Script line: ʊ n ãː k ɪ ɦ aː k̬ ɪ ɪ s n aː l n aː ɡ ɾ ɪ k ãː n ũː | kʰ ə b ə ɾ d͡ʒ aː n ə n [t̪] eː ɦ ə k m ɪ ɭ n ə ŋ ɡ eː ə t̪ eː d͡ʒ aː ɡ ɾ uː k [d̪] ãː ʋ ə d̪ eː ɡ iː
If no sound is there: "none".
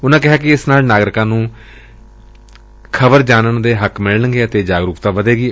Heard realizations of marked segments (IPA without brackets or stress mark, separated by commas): d̪, t̪